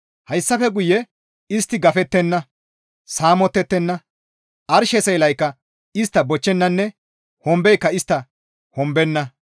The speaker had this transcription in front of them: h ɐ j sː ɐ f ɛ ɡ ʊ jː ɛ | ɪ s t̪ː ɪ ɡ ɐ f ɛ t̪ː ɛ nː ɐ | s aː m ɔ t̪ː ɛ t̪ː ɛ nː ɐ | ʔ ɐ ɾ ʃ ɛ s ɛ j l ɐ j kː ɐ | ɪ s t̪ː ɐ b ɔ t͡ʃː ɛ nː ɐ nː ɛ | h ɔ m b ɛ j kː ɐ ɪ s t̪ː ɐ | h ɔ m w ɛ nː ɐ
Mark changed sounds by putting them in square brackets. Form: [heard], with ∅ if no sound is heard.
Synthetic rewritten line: h ɐ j sː ɐ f ɛ ɡ ʊ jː ɛ | ɪ s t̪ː ɪ ɡ ɐ f ɛ t̪ː ɛ nː ɐ | s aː m ɔ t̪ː ɛ t̪ː ɛ nː ɐ | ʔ ɐ ɾ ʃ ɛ s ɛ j l ɐ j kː ɐ | ɪ s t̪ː ɐ b ɔ t͡ʃː ɛ nː ɐ nː ɛ | h ɔ m b ɛ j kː ɐ ɪ s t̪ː ɐ | h ɔ m [b] ɛ nː ɐ